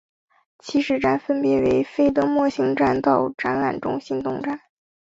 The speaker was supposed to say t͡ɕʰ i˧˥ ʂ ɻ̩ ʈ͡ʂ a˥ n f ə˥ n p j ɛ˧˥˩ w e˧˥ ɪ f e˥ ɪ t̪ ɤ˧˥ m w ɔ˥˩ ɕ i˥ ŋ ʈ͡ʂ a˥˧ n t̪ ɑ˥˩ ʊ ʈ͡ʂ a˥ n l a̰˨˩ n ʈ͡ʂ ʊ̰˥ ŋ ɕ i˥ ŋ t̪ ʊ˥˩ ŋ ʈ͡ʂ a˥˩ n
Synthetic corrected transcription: t͡ɕʰ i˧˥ ʂ ɻ̩ ʈ͡ʂ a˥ n f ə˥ n p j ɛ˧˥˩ w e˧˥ ɪ f e˥ ɪ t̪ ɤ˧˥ m w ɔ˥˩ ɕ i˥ ŋ ʈ͡ʂ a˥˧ n t̪ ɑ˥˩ ʊ ʈ͡ʂ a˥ n l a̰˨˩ n ʈ͡ʂ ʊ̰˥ ŋ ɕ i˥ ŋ t̪ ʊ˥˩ ŋ ʈ͡ʂ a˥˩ n